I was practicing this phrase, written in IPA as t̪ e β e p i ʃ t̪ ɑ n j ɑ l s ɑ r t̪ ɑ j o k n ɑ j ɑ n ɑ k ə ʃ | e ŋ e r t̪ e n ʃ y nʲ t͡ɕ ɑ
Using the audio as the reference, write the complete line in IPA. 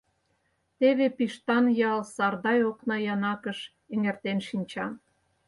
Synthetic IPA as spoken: t̪ e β e p i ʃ t̪ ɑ n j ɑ l s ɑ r d̪ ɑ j o k n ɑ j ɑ n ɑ k ə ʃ | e ŋ e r t̪ e n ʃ i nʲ t͡ɕ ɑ

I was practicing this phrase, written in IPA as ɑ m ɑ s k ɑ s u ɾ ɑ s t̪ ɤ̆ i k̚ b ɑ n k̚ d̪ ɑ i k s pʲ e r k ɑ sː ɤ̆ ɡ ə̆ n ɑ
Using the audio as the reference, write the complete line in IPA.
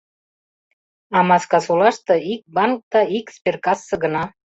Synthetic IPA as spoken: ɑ m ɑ s k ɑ s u l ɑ ʃ t̪ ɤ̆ i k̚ b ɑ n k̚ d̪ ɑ i k s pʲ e r k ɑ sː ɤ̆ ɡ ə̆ n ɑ

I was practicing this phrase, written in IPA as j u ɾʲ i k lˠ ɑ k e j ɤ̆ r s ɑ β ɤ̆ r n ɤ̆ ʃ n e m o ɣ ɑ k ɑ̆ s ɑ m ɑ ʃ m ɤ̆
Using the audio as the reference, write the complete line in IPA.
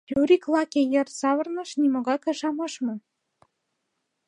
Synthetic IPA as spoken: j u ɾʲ i k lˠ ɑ k e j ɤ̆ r s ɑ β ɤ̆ r n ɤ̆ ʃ n i m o ɣ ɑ k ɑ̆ ʃ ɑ m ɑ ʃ m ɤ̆

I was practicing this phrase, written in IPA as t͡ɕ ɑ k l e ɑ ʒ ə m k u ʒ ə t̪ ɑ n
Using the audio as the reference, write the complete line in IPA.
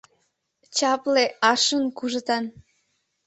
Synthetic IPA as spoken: t͡ɕ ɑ p l e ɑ ʃ ə n k u ʒ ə t̪ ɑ n

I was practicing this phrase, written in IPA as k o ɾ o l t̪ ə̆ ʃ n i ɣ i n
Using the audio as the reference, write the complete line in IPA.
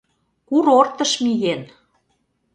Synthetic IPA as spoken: k u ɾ o r t̪ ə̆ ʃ m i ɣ e n

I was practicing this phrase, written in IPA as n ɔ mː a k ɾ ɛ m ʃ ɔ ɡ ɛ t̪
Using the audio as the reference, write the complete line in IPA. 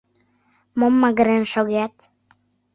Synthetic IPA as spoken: m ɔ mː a ɡ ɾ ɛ n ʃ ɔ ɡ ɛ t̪

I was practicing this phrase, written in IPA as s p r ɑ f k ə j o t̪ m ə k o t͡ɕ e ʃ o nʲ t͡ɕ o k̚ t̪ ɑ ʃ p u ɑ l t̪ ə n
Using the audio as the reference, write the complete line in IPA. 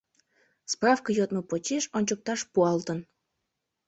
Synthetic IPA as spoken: s p r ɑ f k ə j o t̪ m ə p o t͡ɕ e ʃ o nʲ t͡ɕ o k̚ t̪ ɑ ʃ p u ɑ l t̪ ə n

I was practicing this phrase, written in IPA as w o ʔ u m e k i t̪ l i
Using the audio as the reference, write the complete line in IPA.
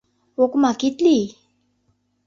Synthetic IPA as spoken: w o k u m a k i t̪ l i

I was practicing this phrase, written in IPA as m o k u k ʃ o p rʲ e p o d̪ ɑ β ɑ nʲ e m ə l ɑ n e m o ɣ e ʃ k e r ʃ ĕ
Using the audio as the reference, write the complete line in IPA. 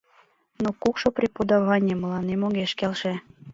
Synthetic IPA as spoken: n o k u k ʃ o p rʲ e p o d̪ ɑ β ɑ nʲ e m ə l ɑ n e m o ɣ e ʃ k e l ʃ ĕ

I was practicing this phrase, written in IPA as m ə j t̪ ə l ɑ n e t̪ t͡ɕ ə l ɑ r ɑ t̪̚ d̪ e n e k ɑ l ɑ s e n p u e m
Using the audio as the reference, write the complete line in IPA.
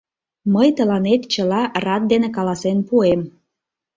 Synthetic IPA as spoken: m ə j t̪ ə l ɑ n e t̪ t͡ɕ ə l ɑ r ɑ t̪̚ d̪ e n e k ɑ l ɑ s e n p u e m

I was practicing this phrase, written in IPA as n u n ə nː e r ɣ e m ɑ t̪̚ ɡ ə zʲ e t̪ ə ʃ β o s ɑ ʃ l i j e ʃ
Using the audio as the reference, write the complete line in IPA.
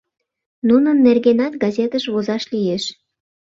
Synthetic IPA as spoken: n u n ə nː e r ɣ e n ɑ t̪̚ ɡ ɑ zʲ e t̪ ə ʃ β o z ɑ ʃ l i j e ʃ

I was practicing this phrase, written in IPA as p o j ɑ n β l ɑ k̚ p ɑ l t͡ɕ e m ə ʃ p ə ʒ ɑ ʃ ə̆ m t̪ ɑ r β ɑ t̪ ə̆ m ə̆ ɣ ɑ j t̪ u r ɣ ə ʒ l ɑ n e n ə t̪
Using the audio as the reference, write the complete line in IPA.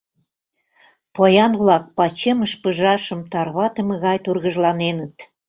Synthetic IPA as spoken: p o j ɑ n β l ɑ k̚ p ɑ t͡ɕ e m ə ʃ p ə ʒ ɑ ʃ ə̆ m t̪ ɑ r β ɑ t̪ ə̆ m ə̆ ɣ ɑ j t̪ u r ɣ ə ʒ l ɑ n e n ə t̪

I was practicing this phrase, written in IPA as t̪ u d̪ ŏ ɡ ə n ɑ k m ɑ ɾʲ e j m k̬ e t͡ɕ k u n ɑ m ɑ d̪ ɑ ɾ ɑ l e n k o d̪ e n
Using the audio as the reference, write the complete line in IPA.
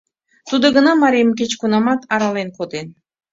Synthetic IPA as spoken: t̪ u d̪ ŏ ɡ ə n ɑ m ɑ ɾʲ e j m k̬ e t͡ɕ k u n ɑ m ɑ t̪ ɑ ɾ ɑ l e n k o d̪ e n

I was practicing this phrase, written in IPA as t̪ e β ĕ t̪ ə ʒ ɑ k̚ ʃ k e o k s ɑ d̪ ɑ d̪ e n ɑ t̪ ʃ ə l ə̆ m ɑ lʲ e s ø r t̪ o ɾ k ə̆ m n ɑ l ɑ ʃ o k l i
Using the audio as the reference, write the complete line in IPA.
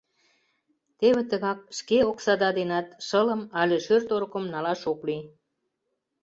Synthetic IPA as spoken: t̪ e β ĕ t̪ ə ɣ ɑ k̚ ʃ k e o k s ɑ d̪ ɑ d̪ e n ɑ t̪ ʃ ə l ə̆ m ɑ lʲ e ʃ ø r t̪ o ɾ k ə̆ m n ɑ l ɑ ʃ o k l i

